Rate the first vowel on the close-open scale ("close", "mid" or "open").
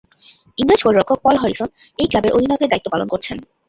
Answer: close